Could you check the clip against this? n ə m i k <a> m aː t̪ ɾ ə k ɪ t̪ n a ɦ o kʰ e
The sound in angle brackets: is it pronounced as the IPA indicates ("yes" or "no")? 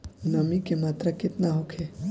no